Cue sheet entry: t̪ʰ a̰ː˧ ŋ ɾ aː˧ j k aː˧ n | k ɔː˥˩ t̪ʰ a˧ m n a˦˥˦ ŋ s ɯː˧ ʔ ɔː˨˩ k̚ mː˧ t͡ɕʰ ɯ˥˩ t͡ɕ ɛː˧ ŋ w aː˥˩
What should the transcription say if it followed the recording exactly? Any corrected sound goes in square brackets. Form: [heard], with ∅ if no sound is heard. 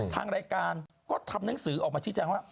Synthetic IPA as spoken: t̪ʰ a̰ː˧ ŋ ɾ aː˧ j k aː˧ n | k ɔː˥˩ t̪ʰ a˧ m n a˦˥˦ ŋ s [ɯː˩˦] ʔ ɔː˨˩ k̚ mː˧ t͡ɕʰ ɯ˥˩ t͡ɕ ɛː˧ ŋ w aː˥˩